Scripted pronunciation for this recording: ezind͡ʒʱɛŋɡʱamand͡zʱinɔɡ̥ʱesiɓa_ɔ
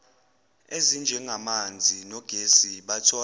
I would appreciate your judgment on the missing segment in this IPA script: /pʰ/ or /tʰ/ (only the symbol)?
tʰ